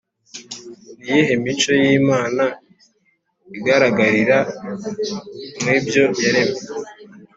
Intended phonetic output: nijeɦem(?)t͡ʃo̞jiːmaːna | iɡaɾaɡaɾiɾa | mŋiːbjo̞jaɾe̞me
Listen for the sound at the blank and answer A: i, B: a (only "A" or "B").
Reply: A